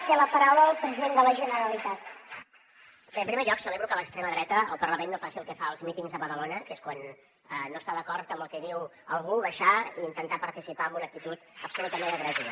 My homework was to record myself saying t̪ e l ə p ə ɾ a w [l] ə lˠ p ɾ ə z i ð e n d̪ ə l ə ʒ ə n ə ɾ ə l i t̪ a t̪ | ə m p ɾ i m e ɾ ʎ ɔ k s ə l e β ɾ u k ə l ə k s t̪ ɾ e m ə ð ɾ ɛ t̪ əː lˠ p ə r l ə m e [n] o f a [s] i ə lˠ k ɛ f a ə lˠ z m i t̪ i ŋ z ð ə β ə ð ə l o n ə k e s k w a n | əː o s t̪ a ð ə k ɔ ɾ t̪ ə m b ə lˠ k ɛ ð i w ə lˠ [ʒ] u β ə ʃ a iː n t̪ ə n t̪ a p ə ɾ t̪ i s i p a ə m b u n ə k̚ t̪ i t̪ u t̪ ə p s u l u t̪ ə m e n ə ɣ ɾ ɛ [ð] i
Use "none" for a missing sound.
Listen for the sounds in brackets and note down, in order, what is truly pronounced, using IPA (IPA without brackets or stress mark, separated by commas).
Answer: l, nː, s, ɣ, z